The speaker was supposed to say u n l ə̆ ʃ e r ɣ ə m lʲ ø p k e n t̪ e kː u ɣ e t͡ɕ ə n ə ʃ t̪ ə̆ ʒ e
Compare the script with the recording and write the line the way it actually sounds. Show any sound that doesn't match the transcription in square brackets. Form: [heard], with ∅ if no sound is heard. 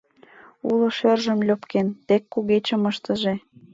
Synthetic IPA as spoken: u [∅] l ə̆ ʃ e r [ʒ] ə m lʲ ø p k e n t̪ e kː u ɣ e t͡ɕ ə [m] ə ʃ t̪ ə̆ ʒ e